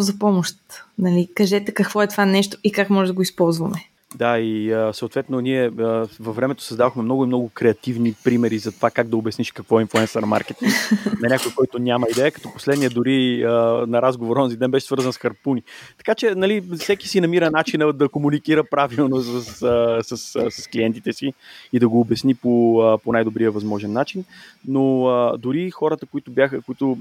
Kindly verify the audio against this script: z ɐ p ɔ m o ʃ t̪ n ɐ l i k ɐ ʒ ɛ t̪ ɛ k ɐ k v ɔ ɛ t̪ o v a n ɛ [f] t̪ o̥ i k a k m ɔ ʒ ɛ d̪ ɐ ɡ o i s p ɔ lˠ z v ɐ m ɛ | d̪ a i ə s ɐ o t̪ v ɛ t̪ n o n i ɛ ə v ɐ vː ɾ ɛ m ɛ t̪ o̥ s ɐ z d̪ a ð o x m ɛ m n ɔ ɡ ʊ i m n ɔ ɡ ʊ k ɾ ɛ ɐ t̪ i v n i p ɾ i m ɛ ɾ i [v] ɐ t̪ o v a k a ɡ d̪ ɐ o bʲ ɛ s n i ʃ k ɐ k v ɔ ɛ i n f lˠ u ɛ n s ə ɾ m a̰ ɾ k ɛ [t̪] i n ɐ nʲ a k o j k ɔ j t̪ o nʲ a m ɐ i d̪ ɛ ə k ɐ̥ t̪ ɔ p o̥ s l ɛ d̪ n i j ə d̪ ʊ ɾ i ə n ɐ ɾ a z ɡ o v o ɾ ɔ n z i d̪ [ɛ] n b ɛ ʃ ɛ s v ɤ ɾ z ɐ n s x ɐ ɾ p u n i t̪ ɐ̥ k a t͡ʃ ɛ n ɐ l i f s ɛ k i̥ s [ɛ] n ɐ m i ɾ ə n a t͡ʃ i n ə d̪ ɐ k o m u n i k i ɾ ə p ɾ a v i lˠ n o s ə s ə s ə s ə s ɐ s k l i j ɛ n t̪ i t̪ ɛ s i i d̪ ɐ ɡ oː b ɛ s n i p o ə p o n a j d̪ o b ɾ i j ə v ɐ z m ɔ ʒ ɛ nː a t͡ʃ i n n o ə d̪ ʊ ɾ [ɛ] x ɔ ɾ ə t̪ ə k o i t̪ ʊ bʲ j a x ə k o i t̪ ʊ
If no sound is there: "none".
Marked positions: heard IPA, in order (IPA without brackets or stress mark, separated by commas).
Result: ʃ, z, t̪, ɛ, i, i